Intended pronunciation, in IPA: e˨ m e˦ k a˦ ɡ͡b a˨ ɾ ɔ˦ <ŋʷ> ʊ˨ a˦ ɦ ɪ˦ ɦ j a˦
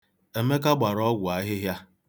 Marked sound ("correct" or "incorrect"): incorrect